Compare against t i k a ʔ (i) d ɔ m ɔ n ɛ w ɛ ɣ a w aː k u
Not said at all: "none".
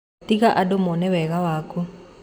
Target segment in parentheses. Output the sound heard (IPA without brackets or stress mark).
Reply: a